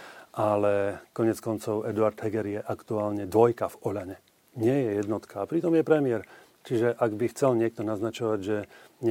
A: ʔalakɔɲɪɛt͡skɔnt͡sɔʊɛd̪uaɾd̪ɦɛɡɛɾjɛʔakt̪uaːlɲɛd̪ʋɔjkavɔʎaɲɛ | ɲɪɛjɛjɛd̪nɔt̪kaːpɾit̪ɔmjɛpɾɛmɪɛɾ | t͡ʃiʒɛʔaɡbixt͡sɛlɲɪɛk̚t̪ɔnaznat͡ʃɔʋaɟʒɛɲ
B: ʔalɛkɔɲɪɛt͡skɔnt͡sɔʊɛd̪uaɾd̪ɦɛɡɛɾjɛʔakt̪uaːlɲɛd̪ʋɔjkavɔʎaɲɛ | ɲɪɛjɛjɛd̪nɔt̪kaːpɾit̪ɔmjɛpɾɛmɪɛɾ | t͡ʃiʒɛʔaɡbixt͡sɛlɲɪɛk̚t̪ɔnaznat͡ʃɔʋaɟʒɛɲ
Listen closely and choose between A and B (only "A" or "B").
B